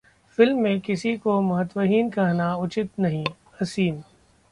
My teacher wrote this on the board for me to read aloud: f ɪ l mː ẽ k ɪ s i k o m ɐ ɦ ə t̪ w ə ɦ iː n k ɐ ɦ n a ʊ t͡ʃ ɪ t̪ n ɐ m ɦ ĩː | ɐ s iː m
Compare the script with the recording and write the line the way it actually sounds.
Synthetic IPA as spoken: f ɪ l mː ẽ k ɪ s i k o m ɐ ɦ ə t̪ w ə ɦ iː n k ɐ ɦ n a ʊ t͡ʃ ɪ t̪ n ɐ ɦ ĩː | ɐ s iː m